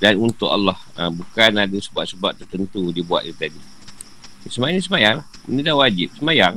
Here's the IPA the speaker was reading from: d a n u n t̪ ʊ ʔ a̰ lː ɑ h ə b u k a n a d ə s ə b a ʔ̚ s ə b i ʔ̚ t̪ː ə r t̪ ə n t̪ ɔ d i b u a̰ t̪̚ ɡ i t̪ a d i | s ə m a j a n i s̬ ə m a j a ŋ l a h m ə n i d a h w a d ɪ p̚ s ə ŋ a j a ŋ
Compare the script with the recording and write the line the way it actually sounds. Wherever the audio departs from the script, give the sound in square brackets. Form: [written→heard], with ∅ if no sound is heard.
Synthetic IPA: d a n u n t̪ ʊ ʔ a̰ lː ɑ h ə b u k a n a d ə s ə b a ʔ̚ s ə b [i→a] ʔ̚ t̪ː ə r t̪ ə n t̪ [ɔ→u] d i b u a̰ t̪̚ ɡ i t̪ a d i | s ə m a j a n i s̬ ə m a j a ŋ l a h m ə n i d a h w a [d→d͡ʒ] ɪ p̚ s ə [ŋ→m] a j a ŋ